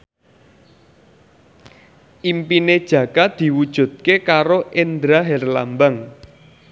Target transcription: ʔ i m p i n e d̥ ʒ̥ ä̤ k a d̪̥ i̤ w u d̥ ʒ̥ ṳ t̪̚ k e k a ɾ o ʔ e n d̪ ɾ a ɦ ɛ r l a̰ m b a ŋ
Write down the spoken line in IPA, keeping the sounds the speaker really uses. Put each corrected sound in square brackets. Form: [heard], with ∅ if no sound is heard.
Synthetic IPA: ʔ i m p i n e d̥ ʒ̥ ä̤ k a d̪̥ i̤ w u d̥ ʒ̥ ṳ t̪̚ k e k a ɾ o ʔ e n d̪ ɾ a ɦ ɛ r l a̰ m b a ŋ

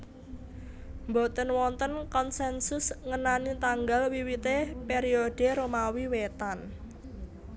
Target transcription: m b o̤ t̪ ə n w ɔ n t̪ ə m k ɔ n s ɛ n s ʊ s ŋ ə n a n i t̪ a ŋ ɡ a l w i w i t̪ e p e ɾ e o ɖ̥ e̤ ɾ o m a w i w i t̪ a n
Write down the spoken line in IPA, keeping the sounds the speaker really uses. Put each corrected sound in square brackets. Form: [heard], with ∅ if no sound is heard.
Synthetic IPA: m b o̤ t̪ ə n w ɔ n t̪ ə [n] k ɔ n s ɛ n s ʊ s ŋ ə n a n i t̪ a ŋ ɡ a l w i w i t̪ e p e ɾ [i] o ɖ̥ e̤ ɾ o m a w i w [e] t̪ a n

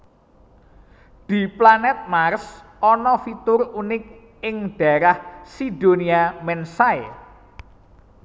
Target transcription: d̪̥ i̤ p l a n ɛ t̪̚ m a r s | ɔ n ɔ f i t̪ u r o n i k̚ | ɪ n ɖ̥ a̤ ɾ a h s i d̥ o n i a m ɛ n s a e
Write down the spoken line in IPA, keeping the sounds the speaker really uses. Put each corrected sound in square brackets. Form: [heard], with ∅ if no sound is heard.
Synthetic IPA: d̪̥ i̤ p l a n ɛ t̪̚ m a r s | ɔ n ɔ f i t̪ [ʊ] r [u] n [ɪ] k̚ | ɪ [ŋ] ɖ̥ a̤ ɾ a h s i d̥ o n i a m ɛ n s a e

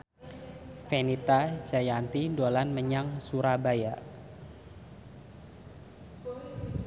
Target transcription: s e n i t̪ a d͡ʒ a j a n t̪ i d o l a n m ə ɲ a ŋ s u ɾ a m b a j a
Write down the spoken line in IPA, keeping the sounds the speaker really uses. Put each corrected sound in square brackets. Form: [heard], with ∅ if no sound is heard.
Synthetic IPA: [f] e n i t̪ a d͡ʒ a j a n t̪ i d o l a n m ə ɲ a ŋ s u ɾ a [∅] b a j a

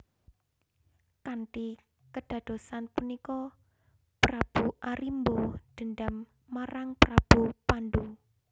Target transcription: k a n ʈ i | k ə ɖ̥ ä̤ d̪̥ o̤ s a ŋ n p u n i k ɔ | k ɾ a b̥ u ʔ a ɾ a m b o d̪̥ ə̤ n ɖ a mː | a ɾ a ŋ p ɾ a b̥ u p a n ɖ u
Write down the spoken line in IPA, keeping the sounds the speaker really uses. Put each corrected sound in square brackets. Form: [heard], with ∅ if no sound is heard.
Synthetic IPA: k a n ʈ i | k ə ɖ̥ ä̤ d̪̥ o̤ s a [∅] n p u n i k ɔ | [p] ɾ a b̥ u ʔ a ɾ [i] m b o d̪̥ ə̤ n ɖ a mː | a ɾ a ŋ p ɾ a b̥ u p a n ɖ u

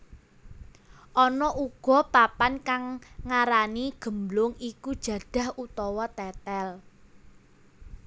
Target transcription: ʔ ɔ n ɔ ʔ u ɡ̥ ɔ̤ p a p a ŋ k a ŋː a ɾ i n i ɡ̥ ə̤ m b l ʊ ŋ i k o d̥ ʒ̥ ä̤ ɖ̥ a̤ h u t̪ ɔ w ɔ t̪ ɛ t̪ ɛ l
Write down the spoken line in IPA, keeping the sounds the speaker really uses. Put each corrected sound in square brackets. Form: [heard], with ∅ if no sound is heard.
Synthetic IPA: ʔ ɔ n ɔ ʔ u ɡ̥ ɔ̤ p a p a [n] k a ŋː a ɾ [a] n i ɡ̥ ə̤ m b l ʊ ŋ i k [u] d̥ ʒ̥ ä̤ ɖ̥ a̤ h u t̪ ɔ w ɔ t̪ ɛ t̪ ɛ l

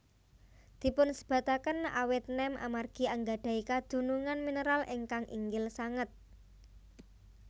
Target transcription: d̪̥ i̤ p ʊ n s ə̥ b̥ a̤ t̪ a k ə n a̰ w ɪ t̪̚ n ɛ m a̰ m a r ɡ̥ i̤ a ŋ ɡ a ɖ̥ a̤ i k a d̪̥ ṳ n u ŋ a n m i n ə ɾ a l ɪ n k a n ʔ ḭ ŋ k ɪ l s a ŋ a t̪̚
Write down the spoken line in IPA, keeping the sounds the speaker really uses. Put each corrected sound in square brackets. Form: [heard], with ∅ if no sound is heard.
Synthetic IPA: d̪̥ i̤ p ʊ n s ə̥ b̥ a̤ t̪ a k ə n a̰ w ɪ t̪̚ n ɛ m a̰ m a r ɡ̥ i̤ a ŋ ɡ a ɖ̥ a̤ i k a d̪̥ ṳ n u ŋ a n m i n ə ɾ a l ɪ [ŋ] k a [ŋ] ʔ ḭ ŋ [ɡ] ɪ l s a ŋ [ə] t̪̚

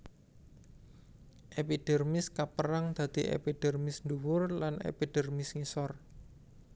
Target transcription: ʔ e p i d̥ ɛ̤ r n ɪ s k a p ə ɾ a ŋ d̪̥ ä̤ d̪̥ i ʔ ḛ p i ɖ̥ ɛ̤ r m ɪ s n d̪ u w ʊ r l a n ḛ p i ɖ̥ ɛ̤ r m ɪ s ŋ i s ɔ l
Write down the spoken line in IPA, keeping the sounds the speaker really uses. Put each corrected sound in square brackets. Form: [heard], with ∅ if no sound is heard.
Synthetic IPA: ʔ e p i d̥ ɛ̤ r [m] ɪ s k a p ə ɾ a ŋ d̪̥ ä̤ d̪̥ i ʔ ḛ p i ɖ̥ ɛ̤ r m ɪ s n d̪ u w ʊ r l a n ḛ p i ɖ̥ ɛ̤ r m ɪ s ŋ i s ɔ [r]

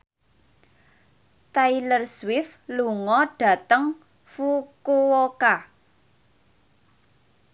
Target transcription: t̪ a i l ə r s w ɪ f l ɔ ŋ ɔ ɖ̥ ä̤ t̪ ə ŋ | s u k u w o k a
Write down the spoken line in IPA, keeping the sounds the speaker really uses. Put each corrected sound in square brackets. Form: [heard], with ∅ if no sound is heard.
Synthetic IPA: t̪ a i l ə r s w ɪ f l [u] ŋ ɔ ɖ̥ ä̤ t̪ ə ŋ | [f] u k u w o k a

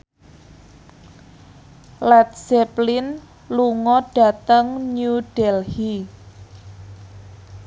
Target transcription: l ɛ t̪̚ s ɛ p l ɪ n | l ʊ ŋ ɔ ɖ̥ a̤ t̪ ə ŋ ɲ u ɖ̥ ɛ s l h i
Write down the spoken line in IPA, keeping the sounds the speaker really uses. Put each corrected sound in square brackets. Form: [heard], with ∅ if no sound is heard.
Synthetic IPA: l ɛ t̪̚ s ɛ p l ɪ n | l [u] ŋ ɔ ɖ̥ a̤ t̪ ə ŋ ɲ u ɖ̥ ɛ [∅] l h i

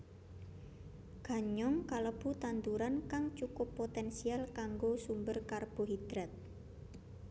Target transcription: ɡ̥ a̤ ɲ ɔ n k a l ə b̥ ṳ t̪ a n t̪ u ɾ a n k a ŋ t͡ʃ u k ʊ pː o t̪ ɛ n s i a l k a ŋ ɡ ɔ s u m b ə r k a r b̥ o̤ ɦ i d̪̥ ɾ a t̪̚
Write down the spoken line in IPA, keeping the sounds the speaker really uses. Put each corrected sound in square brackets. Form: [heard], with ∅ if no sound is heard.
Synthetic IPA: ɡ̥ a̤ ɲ ɔ [ŋ] k a l ə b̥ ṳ t̪ a n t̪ u ɾ a n k a ŋ t͡ʃ u k ʊ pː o t̪ ɛ n s i a l k a ŋ ɡ [o] s u m b ə r k a r b̥ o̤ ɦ i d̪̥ ɾ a t̪̚

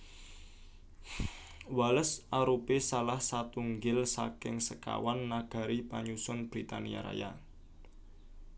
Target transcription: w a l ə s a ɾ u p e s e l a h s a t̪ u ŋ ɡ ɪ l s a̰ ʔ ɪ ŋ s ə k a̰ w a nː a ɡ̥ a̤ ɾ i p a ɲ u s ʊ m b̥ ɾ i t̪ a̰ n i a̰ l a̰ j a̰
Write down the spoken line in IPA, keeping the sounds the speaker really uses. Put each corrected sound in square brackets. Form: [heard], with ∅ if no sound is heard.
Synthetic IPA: w a l ə s a ɾ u p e s [a] l a h s a t̪ u ŋ ɡ ɪ l s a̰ [k] ɪ ŋ s ə k a̰ w a nː a ɡ̥ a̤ ɾ i p a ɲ u s ʊ [n] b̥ ɾ i t̪ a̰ n i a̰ [ɾ] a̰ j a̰

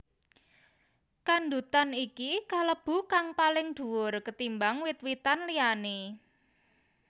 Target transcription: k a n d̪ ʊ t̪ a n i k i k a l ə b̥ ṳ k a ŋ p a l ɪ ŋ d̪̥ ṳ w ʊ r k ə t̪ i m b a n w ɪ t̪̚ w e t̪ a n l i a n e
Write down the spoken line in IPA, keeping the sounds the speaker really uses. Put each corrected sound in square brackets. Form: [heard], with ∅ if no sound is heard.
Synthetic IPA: k a n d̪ [u] t̪ a n i k i k a l ə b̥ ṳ k a ŋ p a l ɪ ŋ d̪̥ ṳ w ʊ r k ə t̪ i m b a [ŋ] w ɪ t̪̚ w [i] t̪ a n l i a n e

